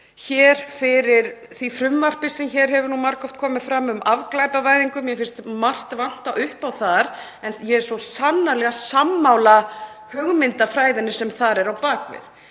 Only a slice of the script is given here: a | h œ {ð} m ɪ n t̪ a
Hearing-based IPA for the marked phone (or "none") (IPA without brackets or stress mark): ɣ